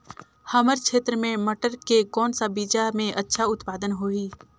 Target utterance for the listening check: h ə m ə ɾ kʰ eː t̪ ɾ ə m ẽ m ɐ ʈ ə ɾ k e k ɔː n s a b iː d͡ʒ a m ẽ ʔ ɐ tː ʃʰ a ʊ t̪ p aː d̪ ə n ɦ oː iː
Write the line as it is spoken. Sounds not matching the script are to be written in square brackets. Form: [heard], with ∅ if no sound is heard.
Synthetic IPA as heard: h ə m ə ɾ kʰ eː t̪ ɾ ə m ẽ m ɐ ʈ ə ɾ k e k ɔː n s a b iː d͡ʒ a m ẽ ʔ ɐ tː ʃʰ a ʊ t̪ p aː d̪ ə n ɦ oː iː